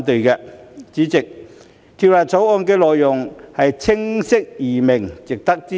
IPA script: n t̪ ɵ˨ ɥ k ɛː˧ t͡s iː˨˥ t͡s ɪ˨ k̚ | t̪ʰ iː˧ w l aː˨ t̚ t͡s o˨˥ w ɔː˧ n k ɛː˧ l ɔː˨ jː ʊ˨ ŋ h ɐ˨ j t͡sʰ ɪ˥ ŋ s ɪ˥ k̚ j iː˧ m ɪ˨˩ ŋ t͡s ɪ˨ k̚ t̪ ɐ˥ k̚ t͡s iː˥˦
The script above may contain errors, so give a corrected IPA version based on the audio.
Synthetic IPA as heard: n t̪ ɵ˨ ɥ k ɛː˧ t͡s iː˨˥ t͡s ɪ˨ k̚ | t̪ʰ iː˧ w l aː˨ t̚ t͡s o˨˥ w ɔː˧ n k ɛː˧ l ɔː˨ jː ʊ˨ ŋ h ɐ˨ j t͡sʰ ɪ˥ ŋ s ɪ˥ k̚ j iː˨˩ m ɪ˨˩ ŋ t͡s ɪ˨ k̚ t̪ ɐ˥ k̚ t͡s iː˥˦